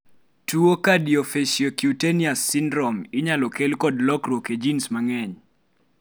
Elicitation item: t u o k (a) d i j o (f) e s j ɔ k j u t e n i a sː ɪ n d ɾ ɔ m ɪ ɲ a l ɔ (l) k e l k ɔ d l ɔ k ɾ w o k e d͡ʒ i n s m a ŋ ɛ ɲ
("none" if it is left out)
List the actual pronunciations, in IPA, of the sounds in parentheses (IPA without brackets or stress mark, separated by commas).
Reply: a, f, none